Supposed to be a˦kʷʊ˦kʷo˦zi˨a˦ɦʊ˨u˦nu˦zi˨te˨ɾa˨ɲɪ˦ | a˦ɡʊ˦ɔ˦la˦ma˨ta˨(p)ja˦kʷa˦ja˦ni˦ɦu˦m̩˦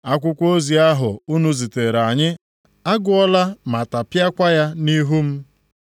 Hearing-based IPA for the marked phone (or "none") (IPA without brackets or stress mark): p